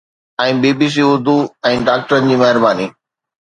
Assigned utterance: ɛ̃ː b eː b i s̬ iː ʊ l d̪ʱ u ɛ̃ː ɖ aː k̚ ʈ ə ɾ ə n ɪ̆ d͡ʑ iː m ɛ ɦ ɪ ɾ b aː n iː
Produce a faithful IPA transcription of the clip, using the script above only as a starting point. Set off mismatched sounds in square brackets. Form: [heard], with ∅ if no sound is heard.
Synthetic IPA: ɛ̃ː b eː b i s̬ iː ʊ [ɾ] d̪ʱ u ɛ̃ː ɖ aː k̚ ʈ ə ɾ ə n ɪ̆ d͡ʑ iː m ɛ ɦ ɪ ɾ b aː n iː

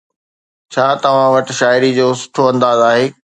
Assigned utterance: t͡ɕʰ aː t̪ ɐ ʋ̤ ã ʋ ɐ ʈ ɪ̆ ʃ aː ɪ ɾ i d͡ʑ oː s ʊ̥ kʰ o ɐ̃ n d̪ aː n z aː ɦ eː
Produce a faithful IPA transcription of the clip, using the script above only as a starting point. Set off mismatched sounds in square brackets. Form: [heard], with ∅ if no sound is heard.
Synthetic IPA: t͡ɕʰ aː t̪ ɐ ʋ̤ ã ʋ ɐ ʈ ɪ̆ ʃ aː ɪ ɾ i d͡ʑ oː s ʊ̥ [ʈʰ] o ɐ̃ n d̪ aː [∅] z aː ɦ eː

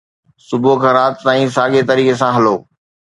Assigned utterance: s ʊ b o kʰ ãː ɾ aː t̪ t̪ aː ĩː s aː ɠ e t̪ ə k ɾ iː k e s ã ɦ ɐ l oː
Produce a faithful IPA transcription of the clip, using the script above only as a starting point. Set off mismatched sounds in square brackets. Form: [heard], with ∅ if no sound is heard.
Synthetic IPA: s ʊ b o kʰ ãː ɾ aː t̪ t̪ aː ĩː s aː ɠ e t̪ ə [∅] ɾ iː k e s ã ɦ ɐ l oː

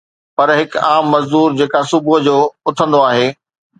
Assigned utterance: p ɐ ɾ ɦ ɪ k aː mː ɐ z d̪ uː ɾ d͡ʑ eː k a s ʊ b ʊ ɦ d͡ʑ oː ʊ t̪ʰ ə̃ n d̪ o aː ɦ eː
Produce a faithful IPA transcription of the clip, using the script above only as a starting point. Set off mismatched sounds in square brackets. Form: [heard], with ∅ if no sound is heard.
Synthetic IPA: p ɐ ɾ ɦ ɪ k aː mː ɐ z d̪ uː ɾ d͡ʑ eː k a s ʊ b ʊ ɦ d͡ʑ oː ʊ t̪ʰ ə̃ n d̪ o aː ɦ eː

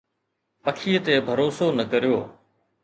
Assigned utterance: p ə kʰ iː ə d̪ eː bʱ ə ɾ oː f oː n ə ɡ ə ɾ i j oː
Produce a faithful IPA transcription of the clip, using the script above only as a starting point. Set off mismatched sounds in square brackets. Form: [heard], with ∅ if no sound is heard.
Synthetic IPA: p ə kʰ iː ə [t̪] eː bʱ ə ɾ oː [s] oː n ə [k] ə ɾ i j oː

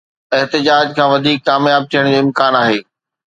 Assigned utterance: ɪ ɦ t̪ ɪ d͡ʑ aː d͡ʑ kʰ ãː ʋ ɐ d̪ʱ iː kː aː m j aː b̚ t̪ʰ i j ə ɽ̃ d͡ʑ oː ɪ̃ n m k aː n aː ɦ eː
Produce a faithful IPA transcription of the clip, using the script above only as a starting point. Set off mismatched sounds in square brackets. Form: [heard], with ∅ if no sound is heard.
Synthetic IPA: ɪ ɦ t̪ ɪ d͡ʑ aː d͡ʑ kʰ ãː ʋ ɐ d̪ʱ iː kː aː m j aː b̚ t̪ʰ i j ə ɽ̃ d͡ʑ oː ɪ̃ [∅] m k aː n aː ɦ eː

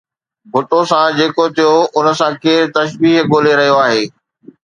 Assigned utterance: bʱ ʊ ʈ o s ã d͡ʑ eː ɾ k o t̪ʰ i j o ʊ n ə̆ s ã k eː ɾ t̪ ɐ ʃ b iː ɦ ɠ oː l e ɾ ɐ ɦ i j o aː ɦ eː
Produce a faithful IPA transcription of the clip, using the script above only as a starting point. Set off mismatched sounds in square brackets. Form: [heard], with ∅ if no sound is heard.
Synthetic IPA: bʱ ʊ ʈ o s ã d͡ʑ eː [∅] k o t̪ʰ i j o ʊ n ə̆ s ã k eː ɾ t̪ ɐ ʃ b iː ɦ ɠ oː l e ɾ ɐ ɦ i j o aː ɦ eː

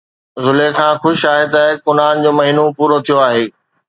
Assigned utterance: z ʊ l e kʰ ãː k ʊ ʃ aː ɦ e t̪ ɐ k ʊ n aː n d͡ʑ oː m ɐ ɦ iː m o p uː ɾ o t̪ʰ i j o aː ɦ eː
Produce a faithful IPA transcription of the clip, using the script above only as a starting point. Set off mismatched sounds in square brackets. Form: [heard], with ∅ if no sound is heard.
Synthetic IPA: z ʊ l e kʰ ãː [x] ʊ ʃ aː ɦ e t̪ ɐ k ʊ n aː n d͡ʑ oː m ɐ ɦ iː [n] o p uː ɾ o t̪ʰ i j o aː ɦ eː

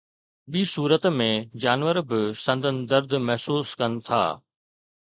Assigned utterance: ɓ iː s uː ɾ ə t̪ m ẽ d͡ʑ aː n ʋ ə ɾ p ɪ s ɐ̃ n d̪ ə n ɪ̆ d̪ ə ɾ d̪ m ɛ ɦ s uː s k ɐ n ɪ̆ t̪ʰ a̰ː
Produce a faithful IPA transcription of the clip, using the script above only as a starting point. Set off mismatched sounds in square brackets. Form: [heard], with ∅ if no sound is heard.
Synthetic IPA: ɓ iː s uː ɾ ə t̪ m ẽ d͡ʑ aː n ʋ ə ɾ [b] ɪ s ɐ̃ n d̪ ə n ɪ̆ d̪ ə ɾ d̪ m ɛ ɦ s uː s k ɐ n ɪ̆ t̪ʰ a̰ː

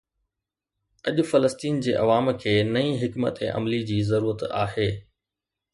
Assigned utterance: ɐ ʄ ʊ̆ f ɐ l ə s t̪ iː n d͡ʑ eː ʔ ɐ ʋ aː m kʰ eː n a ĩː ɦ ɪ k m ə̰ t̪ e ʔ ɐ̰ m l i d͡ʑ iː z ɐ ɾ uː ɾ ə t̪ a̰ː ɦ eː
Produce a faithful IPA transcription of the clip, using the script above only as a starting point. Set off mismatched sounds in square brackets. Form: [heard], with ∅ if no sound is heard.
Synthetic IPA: ɐ ʄ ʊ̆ f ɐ l ə s t̪ iː n d͡ʑ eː ʔ ɐ ʋ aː m kʰ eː n [ɐ] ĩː ɦ ɪ k m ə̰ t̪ e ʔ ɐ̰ m l i d͡ʑ iː z ɐ ɾ uː ɾ ə t̪ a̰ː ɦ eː

